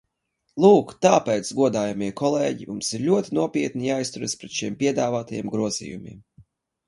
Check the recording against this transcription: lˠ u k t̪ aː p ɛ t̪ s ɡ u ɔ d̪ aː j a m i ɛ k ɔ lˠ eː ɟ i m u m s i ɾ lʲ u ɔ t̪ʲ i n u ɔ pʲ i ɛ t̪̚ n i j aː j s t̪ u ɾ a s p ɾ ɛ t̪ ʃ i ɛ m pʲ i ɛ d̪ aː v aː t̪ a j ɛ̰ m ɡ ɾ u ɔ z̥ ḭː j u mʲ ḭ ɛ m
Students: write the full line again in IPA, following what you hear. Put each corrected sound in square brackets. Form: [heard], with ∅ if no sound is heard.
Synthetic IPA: lˠ [uː] k t̪ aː p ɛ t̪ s ɡ u ɔ d̪ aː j a m i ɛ k ɔ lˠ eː ɟ i m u m s i ɾ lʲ u ɔ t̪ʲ i n u ɔ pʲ i ɛ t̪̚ n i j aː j s t̪ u ɾ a s p ɾ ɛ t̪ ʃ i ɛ m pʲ i ɛ d̪ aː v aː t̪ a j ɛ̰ m ɡ ɾ u ɔ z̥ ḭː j u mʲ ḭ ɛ m